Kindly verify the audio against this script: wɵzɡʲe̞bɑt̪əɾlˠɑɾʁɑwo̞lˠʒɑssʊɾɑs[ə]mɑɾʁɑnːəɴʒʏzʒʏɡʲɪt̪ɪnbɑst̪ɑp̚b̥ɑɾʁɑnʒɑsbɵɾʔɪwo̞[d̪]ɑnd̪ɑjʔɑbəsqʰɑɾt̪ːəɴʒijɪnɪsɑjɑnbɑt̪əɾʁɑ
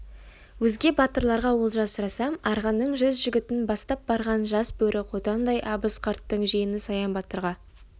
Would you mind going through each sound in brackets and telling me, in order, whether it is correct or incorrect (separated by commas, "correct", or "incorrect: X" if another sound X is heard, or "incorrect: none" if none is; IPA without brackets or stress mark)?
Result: incorrect: ɑ, incorrect: t̪